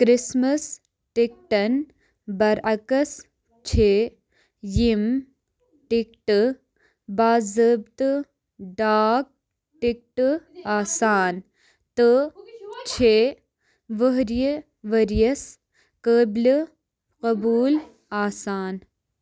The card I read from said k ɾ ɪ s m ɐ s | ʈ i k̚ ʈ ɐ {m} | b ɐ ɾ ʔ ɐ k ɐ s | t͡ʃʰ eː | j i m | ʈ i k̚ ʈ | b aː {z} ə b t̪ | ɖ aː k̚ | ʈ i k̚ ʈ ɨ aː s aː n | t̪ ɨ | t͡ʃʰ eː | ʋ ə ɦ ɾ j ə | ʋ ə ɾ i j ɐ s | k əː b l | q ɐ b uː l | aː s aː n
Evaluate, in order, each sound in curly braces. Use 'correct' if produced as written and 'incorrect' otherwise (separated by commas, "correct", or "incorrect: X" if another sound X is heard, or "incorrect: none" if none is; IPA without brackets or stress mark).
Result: incorrect: n, correct